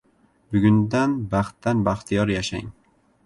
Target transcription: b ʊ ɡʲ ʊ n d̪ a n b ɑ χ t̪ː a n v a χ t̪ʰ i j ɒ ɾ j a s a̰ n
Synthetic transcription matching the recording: b ʊ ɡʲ ʊ n d̪ a n b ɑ χ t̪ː a n b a χ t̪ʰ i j ɒ ɾ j a ʃ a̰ ŋ

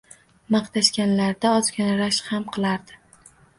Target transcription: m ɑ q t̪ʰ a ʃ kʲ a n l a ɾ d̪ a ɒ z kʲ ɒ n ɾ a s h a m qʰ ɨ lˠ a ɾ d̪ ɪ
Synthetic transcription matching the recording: m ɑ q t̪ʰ a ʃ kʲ a n l a ɾ d̪ a ɒ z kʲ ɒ n ɾ a ʃ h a m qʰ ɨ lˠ a ɾ d̪ ɪ

